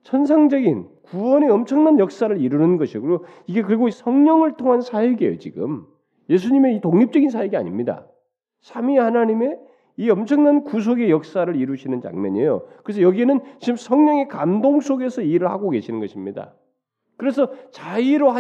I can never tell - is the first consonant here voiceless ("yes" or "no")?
yes